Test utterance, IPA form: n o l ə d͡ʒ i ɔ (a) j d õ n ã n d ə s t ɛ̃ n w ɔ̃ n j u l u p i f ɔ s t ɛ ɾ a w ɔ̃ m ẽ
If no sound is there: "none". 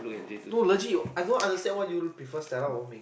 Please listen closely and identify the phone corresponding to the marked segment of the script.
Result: a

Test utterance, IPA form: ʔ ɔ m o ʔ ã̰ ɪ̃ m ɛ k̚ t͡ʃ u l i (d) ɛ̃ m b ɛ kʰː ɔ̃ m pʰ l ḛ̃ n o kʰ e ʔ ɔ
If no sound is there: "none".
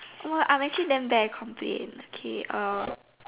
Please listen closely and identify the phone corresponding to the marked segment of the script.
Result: d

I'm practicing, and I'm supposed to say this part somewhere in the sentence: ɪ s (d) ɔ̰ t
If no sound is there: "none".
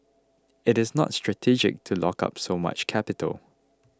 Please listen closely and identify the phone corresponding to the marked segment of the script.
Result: n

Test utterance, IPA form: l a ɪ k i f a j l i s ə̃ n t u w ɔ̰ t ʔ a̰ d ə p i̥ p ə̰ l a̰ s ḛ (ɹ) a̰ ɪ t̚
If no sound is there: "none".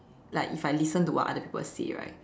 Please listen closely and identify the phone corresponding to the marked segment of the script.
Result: ɹ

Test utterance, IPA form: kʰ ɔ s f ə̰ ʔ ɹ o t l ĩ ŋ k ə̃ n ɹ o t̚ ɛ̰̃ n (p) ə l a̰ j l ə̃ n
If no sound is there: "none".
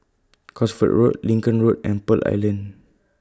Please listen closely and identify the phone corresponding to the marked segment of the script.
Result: p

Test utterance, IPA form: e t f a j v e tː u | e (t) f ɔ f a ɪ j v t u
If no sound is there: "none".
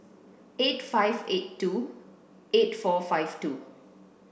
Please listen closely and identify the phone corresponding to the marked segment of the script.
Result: t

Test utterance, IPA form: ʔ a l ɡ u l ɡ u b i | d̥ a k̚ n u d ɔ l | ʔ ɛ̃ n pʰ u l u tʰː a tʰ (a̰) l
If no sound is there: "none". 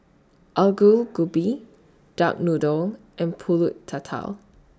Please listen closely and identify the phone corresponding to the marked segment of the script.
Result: a̰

